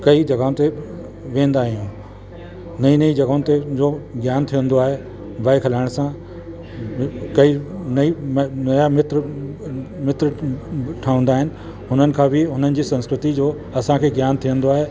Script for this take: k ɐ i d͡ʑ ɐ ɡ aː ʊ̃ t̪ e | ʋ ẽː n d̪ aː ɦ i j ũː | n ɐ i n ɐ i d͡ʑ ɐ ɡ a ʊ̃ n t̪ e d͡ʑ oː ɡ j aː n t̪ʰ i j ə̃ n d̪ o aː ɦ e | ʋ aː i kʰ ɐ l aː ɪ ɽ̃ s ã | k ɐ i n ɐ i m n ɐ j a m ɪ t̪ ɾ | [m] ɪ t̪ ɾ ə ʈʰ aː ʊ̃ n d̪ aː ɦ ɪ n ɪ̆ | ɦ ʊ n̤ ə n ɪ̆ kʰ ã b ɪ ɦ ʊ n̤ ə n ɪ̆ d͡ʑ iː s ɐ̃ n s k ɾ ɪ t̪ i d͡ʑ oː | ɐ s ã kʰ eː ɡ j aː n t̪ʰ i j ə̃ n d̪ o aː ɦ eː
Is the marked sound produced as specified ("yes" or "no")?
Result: yes